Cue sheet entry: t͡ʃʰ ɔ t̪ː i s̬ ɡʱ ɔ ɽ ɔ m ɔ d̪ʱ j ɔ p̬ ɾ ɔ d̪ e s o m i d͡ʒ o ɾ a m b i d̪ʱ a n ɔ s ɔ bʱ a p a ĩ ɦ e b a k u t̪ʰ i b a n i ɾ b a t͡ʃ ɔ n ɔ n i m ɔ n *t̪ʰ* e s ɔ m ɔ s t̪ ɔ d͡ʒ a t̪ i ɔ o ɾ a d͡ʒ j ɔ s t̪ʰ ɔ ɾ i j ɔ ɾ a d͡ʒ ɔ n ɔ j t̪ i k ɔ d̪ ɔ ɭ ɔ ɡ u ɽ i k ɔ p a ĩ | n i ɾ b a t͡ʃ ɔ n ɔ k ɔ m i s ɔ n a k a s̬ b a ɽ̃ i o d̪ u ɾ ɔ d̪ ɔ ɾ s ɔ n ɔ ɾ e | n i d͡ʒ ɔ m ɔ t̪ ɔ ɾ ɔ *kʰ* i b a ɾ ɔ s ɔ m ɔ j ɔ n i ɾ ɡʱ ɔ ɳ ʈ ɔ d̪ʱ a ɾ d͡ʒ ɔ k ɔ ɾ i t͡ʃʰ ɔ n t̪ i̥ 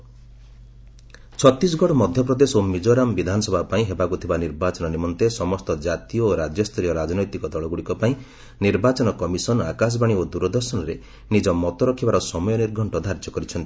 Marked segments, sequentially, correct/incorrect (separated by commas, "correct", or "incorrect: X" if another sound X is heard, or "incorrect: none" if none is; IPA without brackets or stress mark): incorrect: t̪, correct